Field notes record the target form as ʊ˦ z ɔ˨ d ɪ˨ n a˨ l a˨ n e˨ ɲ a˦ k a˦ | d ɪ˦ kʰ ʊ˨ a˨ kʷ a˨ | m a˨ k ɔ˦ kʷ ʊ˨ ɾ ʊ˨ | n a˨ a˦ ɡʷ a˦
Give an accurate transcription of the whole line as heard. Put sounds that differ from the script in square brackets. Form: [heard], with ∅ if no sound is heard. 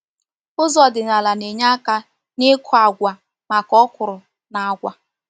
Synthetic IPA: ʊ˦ z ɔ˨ d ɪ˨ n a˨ l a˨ n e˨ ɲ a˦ k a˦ | [n] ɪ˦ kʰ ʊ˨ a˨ [ɡʷ] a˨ | m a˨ k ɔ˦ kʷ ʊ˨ ɾ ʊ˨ | n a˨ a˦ ɡʷ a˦